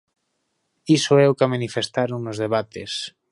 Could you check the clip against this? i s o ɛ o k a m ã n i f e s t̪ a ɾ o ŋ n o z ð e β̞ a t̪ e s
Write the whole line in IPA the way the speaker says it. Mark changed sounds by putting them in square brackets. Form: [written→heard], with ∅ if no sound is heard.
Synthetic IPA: i s o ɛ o k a m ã n i f e s t̪ a ɾ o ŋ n o z ð e β̞ a t̪ e s